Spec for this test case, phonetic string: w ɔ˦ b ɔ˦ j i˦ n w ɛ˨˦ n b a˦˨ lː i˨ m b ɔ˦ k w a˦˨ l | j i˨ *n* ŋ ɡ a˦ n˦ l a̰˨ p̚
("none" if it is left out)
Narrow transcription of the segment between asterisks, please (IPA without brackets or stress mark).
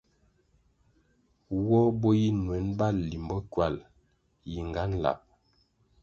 none